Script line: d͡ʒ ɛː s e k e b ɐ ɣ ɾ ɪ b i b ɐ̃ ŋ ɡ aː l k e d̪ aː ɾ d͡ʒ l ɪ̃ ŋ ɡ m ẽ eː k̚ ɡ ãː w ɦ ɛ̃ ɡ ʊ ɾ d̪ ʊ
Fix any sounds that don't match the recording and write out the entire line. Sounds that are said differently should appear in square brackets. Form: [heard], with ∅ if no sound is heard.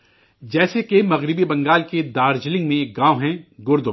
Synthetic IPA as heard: d͡ʒ ɛː s e k e [m] ɐ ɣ ɾ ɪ b i b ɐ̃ ŋ ɡ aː l k e d̪ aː ɾ d͡ʒ l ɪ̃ ŋ ɡ m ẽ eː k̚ ɡ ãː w ɦ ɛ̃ ɡ ʊ ɾ d̪ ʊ